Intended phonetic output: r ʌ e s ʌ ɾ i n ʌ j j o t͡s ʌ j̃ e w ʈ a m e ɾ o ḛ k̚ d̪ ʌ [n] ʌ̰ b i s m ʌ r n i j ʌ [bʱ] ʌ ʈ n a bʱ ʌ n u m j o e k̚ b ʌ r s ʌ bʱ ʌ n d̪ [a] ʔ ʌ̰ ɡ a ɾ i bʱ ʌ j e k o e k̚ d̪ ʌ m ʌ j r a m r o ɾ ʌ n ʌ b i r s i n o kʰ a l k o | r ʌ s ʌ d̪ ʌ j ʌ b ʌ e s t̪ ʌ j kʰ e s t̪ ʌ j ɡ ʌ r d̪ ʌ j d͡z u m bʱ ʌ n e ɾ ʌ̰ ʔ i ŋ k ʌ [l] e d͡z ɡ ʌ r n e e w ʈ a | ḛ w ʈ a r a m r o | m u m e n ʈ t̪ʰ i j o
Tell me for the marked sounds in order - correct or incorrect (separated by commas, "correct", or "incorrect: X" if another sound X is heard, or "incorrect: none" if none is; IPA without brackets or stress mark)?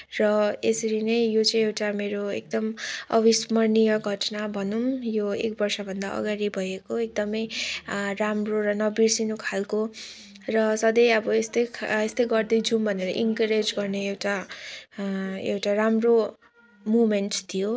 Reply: incorrect: m, incorrect: ɡʱ, correct, incorrect: ɾ